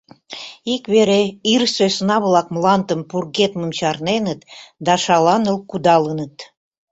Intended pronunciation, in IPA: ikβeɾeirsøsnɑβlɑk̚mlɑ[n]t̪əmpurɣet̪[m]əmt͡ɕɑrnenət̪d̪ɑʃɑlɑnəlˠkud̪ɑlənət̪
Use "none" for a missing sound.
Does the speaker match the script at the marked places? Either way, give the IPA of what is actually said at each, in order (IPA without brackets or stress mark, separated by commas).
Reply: n, m